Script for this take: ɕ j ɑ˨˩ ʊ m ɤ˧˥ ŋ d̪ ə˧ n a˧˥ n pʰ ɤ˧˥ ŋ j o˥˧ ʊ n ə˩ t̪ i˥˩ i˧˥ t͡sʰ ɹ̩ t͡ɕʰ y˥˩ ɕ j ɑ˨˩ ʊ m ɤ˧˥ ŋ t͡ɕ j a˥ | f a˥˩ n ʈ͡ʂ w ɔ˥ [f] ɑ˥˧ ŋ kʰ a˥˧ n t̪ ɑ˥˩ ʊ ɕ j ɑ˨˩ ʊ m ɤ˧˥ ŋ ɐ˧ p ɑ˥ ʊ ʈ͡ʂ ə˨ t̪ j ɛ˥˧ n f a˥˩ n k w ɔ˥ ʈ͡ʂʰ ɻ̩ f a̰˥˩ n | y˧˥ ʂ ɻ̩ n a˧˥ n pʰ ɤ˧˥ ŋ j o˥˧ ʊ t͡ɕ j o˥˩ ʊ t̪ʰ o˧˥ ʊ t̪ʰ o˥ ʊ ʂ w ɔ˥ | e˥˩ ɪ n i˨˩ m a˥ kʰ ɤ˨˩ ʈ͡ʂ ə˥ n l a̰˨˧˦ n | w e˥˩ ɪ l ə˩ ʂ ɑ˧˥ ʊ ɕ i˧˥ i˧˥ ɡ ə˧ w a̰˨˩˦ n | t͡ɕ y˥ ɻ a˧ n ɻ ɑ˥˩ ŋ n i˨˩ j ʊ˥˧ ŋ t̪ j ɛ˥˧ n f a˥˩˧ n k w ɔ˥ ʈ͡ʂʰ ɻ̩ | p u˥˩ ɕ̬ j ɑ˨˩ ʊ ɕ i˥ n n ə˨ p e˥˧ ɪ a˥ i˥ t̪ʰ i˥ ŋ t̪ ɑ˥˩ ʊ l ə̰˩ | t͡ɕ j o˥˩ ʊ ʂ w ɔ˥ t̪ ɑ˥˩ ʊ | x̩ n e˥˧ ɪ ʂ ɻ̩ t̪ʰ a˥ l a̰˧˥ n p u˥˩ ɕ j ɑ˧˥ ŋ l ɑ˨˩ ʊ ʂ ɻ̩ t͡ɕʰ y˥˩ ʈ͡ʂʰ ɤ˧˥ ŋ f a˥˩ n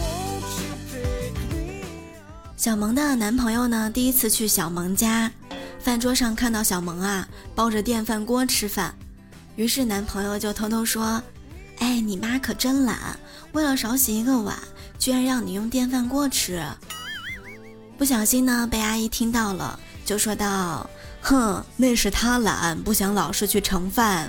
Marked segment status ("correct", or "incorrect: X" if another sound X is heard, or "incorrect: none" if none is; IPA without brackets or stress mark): incorrect: ʂ